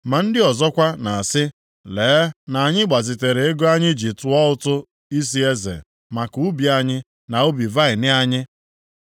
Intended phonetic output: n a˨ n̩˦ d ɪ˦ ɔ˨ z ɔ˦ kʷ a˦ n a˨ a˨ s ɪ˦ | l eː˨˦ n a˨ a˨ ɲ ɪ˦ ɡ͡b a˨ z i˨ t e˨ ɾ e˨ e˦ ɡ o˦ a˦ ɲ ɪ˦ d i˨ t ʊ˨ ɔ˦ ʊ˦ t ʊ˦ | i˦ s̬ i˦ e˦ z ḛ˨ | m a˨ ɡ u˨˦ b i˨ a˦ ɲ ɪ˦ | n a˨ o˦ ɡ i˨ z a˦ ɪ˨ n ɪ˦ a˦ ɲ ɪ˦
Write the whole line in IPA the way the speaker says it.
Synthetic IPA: m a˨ n̩˦ d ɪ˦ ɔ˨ z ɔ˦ kʷ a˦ n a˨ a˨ s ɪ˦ | l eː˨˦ n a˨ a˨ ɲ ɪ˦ ɡ͡b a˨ z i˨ t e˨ ɾ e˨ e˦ ɡ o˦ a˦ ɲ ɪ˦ d͡ʒ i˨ t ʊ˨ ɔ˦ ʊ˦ t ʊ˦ | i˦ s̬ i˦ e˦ z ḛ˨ | m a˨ k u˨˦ b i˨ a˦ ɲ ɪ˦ | n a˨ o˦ b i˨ v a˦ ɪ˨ n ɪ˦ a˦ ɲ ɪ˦

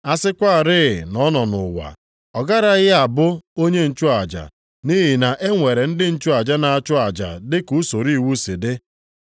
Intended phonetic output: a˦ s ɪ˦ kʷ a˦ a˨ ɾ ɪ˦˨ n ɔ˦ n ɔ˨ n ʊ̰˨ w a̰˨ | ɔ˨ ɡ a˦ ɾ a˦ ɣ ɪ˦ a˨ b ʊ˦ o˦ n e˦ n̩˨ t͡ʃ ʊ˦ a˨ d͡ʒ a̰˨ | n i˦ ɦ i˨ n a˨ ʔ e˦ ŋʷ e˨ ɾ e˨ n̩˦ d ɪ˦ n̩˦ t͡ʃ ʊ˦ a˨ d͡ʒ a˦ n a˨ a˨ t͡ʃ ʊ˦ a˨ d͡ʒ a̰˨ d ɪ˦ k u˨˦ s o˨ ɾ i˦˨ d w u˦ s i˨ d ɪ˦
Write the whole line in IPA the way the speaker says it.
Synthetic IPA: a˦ s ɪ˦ kʷ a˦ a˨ ɾ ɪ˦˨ n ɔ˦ n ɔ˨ n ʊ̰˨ w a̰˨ | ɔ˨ ɡ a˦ ɾ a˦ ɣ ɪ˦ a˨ b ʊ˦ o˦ ɲ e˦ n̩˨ t͡ʃ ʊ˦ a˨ d͡ʒ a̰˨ | n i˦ ɦ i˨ n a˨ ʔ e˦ ŋʷ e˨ ɾ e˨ n̩˦ d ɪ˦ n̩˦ t͡ʃ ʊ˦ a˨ d͡ʒ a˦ n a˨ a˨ t͡ʃ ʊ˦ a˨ d͡ʒ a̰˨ d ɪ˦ k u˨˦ s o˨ ɾ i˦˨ w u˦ s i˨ d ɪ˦

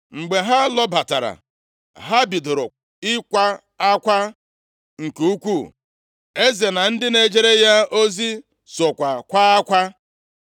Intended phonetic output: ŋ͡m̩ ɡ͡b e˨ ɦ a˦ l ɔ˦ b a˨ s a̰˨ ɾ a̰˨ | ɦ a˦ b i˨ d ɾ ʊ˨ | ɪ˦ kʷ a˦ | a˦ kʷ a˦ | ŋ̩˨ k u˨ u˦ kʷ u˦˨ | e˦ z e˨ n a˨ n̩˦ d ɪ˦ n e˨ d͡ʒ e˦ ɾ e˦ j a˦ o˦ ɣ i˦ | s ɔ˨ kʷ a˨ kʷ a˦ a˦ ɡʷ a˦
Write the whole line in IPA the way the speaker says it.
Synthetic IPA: ŋ͡m̩ ɡ͡b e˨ ɦ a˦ l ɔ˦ b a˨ t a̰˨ ɾ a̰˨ | ɦ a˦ b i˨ d ɾ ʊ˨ | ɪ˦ kʷ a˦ | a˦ kʷ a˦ | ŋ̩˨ k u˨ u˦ kʷ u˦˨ | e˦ z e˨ n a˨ n̩˦ d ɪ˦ n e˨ d͡ʒ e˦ ɾ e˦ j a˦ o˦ z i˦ | s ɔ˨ kʷ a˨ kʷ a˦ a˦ kʷ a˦

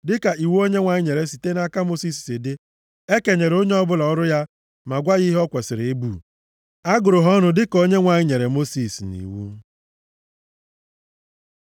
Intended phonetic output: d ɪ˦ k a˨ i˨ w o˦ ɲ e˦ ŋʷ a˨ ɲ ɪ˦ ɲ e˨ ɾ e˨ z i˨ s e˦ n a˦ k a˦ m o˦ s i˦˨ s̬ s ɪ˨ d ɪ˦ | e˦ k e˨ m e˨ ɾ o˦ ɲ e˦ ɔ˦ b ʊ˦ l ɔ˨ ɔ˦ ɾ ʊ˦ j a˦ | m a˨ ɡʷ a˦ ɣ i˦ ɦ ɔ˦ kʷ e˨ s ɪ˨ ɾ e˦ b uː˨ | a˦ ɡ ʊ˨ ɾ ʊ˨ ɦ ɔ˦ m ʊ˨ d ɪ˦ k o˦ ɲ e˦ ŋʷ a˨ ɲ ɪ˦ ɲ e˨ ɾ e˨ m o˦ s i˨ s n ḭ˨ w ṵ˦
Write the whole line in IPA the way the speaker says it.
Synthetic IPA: d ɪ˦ k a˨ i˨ w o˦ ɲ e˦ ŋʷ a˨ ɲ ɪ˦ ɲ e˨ ɾ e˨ s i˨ t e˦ n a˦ k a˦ m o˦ s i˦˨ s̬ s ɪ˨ d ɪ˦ | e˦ k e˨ ɲ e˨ ɾ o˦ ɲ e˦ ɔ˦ b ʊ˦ l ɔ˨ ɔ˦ ɾ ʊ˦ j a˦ | m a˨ ɡʷ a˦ ɣ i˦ ɦ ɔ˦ kʷ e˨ s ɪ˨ ɾ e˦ b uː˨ | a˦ ɡ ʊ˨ ɾ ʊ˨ ɦ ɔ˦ n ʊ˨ d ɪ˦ k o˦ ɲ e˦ ŋʷ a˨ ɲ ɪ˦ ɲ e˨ ɾ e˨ m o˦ s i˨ s n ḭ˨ w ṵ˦

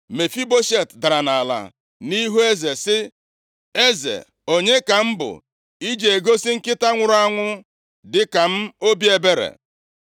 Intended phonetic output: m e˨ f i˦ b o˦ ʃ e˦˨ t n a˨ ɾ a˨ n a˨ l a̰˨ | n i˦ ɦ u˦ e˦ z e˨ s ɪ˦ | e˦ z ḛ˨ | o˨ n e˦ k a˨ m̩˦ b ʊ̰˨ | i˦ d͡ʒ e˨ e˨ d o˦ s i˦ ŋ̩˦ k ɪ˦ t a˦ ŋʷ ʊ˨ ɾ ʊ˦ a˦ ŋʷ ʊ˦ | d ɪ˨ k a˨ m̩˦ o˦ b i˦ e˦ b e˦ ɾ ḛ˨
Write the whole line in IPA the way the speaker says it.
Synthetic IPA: m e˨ f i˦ b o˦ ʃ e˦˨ t d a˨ ɾ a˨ n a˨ l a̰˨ | n i˦ ɦ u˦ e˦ z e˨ s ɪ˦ | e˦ z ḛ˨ | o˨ ɲ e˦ k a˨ m̩˦ b ʊ̰˨ | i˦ d͡ʒ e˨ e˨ ɡ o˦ s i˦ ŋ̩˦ k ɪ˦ t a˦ ŋʷ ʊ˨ ɾ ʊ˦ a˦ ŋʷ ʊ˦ | d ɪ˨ k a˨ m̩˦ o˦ b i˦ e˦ b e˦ ɾ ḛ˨

